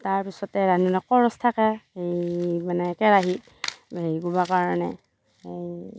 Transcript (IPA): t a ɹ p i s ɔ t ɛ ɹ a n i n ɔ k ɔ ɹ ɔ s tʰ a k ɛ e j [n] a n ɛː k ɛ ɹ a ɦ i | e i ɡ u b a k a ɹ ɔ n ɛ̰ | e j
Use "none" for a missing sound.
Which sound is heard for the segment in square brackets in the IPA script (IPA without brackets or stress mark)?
m